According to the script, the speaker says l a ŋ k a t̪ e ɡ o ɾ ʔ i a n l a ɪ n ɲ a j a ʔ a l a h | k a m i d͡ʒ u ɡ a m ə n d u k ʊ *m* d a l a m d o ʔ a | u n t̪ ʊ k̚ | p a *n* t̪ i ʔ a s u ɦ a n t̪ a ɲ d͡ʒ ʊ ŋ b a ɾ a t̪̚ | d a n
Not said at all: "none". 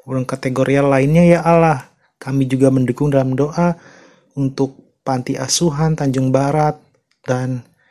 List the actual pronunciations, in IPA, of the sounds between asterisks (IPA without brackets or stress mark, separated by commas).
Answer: ŋ, n